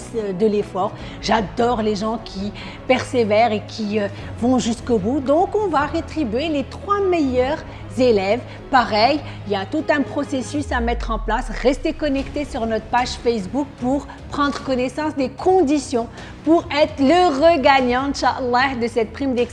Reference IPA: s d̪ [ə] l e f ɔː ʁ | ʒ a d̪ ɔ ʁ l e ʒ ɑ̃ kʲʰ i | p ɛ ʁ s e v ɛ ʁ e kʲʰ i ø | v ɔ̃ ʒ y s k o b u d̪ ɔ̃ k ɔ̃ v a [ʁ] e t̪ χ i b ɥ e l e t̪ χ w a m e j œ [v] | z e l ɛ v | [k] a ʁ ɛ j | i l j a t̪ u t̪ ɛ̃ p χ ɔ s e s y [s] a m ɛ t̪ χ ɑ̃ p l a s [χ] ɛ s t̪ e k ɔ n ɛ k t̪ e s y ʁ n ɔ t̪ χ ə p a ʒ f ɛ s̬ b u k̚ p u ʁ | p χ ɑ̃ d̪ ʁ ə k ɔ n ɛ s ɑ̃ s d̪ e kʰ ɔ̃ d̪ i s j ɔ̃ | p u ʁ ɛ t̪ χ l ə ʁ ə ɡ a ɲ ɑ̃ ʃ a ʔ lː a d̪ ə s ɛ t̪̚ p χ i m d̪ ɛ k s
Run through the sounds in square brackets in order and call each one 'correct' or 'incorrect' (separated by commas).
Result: correct, correct, incorrect, incorrect, correct, incorrect